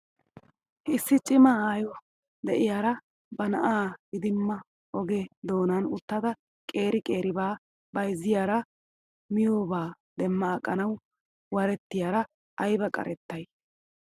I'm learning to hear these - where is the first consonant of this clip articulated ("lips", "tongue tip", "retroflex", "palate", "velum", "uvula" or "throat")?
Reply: tongue tip